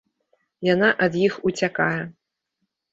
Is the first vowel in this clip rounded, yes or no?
no